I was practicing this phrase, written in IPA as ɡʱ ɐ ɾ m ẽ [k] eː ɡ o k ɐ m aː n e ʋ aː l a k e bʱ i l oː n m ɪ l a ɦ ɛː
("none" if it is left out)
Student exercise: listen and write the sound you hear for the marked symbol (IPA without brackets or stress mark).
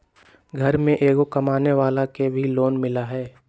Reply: ʔ